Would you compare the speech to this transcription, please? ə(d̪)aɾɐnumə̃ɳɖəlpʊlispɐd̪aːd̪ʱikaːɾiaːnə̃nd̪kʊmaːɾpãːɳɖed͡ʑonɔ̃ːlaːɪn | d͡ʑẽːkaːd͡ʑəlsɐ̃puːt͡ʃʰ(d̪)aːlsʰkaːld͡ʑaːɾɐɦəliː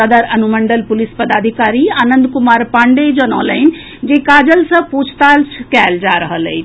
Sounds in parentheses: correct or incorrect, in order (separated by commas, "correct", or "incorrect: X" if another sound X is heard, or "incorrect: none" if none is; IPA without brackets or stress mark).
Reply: correct, incorrect: t̪